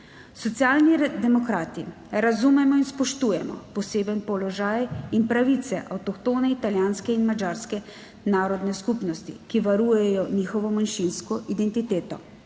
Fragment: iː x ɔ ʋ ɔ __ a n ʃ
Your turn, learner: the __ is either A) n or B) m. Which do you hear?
B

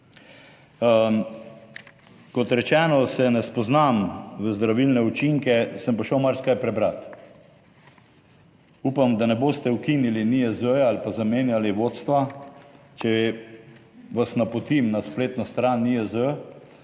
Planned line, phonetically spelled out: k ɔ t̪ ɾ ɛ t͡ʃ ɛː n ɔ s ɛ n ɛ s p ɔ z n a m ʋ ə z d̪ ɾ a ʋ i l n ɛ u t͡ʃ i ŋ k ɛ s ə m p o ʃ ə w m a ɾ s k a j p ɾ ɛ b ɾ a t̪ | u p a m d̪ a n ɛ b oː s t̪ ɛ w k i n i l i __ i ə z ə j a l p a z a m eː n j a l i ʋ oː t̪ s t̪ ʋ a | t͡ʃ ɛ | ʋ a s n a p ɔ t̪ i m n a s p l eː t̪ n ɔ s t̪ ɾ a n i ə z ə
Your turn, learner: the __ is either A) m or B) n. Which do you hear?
B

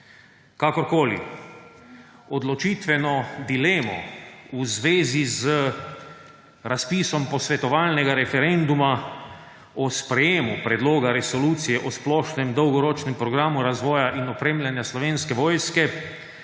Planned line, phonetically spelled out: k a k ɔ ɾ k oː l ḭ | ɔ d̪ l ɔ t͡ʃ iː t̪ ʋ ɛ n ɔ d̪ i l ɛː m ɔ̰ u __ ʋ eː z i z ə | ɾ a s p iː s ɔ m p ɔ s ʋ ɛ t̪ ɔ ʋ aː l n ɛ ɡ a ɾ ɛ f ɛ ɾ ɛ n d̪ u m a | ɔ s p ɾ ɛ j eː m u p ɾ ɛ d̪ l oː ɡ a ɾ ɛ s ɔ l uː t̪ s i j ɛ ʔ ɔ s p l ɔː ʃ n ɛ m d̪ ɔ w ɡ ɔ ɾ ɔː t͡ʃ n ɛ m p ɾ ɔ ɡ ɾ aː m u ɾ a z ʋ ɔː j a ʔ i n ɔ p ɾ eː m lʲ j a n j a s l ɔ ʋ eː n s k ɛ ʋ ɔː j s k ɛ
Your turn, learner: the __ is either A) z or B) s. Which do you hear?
A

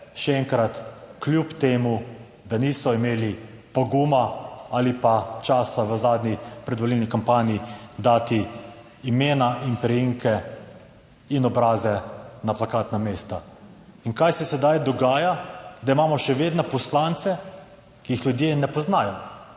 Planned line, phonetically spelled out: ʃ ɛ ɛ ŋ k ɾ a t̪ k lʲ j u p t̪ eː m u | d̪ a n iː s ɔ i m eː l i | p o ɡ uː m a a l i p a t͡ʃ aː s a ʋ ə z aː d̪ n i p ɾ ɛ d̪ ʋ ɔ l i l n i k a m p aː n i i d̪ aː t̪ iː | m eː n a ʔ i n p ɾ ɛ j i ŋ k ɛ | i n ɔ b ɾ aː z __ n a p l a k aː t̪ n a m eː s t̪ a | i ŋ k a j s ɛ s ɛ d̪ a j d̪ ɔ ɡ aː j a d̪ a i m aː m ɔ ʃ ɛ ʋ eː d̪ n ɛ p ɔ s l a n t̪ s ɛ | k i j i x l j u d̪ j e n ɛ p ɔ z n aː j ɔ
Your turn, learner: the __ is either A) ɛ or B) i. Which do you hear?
A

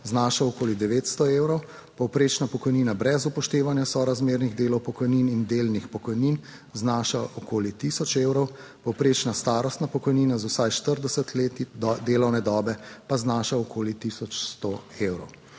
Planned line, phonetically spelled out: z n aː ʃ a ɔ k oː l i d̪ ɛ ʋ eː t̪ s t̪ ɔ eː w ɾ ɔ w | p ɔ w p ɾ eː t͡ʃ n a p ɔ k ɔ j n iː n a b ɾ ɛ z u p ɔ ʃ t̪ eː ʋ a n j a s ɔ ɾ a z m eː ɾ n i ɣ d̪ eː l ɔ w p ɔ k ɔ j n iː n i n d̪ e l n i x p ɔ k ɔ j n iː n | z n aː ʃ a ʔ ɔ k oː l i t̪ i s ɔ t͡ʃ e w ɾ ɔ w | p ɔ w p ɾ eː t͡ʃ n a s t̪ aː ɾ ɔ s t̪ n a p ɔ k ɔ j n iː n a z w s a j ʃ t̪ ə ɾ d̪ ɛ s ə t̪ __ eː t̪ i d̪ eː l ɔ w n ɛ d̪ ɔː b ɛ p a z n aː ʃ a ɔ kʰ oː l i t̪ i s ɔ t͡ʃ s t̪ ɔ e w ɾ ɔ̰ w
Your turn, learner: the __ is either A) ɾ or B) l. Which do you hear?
B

